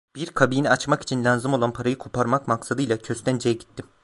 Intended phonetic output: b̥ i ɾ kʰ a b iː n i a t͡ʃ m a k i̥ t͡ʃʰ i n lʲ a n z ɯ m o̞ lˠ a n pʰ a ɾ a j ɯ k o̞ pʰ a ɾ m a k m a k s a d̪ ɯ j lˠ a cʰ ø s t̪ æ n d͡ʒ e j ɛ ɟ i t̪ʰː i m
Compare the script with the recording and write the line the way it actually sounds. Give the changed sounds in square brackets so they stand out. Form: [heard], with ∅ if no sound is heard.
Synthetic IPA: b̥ i ɾ kʰ a b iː n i a t͡ʃ m a k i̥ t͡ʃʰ i n lʲ a n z ɯ m o̞ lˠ a n pʰ a ɾ a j ɯ [kʰ] o̞ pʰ a ɾ m a k m a k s a d̪ ɯ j lˠ a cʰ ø s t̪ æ n d͡ʒ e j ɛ ɟ i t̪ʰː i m

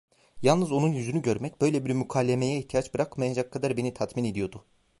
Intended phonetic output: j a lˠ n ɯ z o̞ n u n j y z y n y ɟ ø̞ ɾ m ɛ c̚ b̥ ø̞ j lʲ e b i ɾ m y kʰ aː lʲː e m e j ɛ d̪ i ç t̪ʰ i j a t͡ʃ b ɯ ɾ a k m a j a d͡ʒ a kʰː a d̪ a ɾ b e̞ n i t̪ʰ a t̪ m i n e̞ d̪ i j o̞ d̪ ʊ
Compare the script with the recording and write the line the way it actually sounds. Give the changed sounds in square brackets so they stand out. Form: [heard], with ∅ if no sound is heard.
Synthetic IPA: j a lˠ n ɯ z o̞ n u n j y z y n y ɟ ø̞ ɾ m ɛ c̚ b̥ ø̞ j lʲ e b i ɾ m y kʰ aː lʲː e m e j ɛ [∅] i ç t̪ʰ i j a t͡ʃ b ɯ ɾ a k m a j a d͡ʒ a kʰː a d̪ a ɾ b e̞ n i t̪ʰ a t̪ m i n e̞ d̪ i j o̞ d̪ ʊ

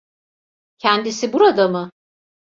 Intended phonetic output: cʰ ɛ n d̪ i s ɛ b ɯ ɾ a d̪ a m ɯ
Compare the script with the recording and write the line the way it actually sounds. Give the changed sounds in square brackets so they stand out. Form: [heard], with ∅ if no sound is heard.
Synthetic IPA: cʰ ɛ n d̪ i s [i] b [u] ɾ a d̪ a m ɯ

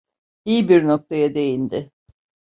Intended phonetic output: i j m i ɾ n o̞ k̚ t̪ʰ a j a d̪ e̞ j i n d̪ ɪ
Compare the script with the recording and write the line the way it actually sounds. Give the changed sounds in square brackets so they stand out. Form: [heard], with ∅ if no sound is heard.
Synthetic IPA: i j [b] i ɾ n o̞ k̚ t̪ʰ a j a d̪ e̞ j i n d̪ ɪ

